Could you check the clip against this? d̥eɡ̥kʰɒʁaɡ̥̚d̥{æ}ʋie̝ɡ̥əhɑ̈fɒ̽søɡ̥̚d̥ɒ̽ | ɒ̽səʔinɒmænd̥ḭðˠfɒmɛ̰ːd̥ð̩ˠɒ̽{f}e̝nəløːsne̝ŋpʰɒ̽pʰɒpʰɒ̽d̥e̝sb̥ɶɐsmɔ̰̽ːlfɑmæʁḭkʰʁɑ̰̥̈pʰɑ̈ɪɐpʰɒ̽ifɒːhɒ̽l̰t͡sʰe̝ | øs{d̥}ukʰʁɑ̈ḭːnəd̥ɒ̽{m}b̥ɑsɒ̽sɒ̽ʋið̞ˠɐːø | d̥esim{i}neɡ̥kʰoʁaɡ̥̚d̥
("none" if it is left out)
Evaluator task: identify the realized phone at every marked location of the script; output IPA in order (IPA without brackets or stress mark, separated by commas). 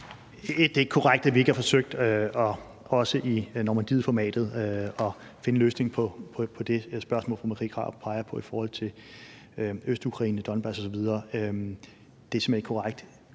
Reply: æ, f, d̥, n, e